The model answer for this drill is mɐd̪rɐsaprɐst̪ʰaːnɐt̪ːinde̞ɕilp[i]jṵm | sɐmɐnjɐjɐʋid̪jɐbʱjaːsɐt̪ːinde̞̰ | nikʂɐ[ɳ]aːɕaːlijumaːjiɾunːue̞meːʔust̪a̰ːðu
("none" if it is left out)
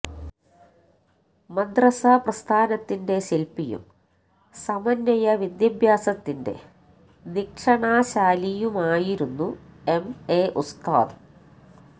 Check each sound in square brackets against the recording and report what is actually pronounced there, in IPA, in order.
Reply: i, ɳ

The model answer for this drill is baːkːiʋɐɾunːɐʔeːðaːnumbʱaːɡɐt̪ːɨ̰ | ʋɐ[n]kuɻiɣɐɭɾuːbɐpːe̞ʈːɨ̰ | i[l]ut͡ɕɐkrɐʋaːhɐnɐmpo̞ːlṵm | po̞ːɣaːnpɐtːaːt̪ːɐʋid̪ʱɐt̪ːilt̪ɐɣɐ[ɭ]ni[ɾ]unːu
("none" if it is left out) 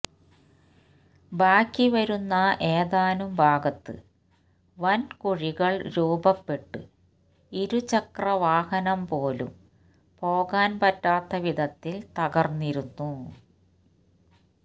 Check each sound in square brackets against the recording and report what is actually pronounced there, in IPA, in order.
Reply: n, ɾ, r, ɾ

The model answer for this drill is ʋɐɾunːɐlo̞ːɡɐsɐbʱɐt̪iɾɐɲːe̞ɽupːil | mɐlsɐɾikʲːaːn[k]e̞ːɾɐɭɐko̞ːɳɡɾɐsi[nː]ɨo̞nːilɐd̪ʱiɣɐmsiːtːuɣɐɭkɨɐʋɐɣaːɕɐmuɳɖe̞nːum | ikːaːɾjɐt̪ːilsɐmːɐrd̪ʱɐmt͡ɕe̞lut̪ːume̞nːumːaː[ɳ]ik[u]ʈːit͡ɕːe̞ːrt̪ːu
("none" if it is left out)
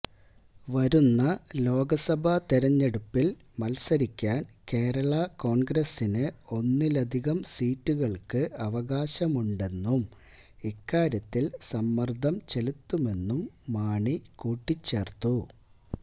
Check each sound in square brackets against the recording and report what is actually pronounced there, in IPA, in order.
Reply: k, n, ɳ, uː

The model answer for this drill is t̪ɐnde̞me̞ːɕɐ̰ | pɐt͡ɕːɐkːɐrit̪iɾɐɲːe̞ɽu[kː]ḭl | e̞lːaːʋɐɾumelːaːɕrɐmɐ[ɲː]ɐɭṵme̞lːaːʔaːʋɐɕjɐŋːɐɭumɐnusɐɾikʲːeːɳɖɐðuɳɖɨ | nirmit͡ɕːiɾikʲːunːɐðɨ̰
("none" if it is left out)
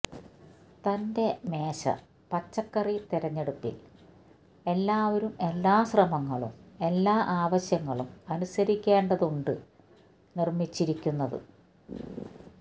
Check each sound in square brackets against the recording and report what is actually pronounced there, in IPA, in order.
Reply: pː, ŋː

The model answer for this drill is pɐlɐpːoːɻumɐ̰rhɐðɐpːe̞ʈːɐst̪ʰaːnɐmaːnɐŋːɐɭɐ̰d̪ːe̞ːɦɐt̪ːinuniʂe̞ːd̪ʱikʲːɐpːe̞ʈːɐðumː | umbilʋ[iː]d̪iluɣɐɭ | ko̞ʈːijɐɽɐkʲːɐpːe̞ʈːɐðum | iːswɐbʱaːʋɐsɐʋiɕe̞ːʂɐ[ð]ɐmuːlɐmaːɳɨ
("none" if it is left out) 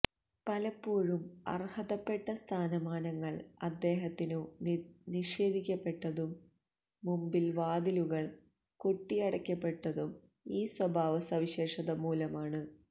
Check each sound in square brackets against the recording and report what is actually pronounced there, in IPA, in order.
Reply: aː, ð

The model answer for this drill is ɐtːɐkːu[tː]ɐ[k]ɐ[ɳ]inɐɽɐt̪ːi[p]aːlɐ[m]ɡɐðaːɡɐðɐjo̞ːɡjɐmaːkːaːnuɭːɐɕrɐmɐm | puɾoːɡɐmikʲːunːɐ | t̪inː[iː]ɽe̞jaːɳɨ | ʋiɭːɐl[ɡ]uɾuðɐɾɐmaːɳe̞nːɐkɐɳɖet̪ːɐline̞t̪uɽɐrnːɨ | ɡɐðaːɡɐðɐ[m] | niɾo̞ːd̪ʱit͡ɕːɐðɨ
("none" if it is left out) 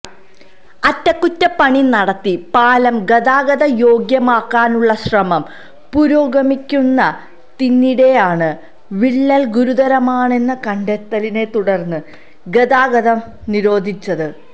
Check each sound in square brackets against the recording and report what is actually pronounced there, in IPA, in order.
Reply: tː, p, ɳ, p, m, i, ɡ, m

